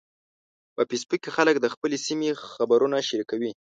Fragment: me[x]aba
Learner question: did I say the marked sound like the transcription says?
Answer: yes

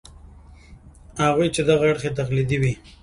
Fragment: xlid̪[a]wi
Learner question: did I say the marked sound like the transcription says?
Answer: no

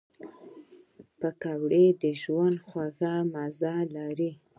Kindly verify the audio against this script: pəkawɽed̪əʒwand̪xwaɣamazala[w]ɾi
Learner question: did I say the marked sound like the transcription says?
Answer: no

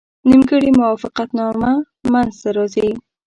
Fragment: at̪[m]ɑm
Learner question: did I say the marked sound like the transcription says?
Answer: no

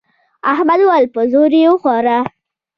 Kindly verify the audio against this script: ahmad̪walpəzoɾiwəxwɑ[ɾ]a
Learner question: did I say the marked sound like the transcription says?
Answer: yes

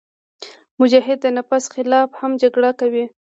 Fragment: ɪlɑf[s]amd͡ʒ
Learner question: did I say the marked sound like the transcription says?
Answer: no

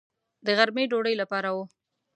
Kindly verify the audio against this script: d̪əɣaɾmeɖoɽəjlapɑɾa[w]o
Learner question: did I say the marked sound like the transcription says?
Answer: yes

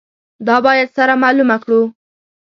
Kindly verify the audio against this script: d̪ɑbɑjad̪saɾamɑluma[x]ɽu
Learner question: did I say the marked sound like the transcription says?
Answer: no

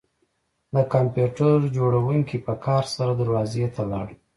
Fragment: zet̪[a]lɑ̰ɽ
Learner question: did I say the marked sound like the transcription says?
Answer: yes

